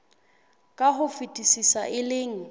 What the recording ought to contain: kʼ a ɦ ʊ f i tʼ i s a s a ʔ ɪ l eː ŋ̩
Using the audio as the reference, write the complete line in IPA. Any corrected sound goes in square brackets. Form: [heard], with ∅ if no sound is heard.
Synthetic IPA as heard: kʼ a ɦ ʊ f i tʼ i s [i] s a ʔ ɪ l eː ŋ̩